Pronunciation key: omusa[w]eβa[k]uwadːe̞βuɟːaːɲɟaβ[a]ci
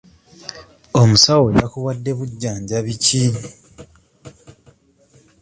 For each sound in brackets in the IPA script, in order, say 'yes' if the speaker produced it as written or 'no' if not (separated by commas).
yes, yes, no